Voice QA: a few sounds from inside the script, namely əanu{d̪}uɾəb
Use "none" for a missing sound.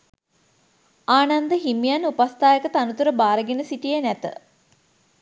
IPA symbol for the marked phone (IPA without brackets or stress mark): t̪